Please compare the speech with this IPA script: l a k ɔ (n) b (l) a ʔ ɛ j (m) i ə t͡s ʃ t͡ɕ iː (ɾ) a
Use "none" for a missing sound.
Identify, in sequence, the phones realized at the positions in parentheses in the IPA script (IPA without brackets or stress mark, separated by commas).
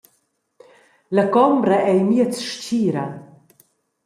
m, ɾ, m, ɾ